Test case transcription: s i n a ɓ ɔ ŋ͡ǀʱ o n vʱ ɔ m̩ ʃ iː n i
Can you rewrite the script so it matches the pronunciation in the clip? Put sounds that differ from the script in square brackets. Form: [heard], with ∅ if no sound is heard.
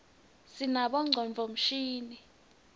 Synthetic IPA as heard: s i n a ɓ ɔ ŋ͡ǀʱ [ɔ] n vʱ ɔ m̩ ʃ iː n i